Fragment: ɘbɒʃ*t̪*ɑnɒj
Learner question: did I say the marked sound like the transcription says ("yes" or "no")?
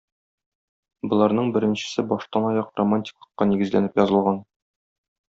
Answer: yes